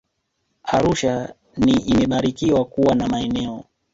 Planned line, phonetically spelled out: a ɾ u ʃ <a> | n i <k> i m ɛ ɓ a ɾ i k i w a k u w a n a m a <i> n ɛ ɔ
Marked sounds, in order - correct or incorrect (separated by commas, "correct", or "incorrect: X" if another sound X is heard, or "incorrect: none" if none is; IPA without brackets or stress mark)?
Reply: correct, incorrect: none, incorrect: ɛ